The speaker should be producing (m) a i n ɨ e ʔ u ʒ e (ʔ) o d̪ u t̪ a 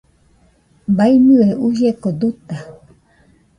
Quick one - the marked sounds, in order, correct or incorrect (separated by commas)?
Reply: incorrect, incorrect